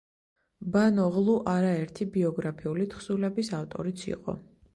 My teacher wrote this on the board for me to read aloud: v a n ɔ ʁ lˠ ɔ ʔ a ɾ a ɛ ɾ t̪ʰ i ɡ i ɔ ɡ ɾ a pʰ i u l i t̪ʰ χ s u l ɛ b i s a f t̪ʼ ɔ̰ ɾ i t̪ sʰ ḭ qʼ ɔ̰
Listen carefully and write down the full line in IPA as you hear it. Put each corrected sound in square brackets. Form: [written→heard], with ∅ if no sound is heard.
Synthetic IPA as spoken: [v→b] a n ɔ ʁ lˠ [ɔ→u] ʔ a ɾ a ɛ ɾ t̪ʰ i [ɡ→b] i ɔ ɡ ɾ a pʰ i u l i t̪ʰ χ s u l ɛ b i s a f t̪ʼ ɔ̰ ɾ i t̪ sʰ ḭ qʼ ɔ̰